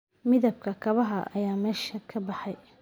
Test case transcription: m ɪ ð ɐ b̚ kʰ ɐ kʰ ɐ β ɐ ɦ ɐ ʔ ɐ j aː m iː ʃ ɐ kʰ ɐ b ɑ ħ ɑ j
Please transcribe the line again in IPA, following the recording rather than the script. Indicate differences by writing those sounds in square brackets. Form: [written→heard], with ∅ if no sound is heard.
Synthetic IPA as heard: m ɪ ð ɐ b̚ kʰ ɐ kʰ ɐ β ɐ ɦ ɐ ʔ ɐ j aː m [iː→ɛː] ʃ ɐ kʰ ɐ b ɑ ħ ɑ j